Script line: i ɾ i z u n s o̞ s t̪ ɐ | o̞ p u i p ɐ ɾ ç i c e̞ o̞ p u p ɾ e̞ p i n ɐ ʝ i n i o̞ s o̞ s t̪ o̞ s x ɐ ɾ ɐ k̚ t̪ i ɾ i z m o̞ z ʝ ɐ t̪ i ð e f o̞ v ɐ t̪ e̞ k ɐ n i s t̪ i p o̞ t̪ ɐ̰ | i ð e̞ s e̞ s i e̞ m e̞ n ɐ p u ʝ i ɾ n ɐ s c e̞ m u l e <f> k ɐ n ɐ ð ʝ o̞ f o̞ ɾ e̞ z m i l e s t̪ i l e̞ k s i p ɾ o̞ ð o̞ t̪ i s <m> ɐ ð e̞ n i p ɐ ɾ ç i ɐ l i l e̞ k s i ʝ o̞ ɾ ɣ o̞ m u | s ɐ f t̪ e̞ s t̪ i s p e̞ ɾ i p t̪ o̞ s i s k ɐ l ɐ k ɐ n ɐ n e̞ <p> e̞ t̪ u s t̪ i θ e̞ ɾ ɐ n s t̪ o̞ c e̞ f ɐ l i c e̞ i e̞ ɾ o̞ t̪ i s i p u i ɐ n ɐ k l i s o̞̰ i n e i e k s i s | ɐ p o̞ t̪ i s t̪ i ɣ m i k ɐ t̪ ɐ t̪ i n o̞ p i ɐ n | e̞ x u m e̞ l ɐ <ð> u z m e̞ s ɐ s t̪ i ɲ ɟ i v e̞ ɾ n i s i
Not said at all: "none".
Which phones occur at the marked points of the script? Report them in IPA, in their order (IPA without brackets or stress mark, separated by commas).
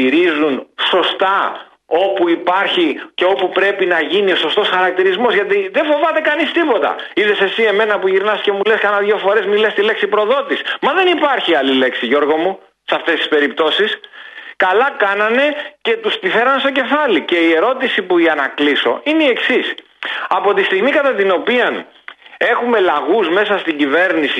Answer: s, m, c, ɣ